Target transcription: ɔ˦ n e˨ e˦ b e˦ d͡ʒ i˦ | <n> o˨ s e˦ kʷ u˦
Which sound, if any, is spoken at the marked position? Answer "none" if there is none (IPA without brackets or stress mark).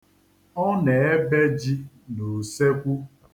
n